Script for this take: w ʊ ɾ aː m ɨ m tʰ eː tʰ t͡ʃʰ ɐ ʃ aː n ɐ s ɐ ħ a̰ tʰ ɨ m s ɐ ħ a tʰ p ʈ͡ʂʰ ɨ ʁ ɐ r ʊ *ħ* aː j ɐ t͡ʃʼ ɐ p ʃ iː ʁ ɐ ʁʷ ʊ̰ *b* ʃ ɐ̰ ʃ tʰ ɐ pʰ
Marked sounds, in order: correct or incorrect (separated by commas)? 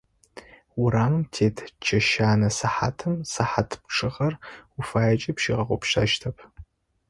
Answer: incorrect, incorrect